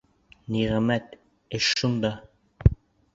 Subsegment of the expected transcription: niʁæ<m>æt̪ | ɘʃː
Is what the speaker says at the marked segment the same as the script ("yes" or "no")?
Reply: yes